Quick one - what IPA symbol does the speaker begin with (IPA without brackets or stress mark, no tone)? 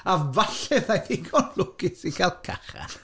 a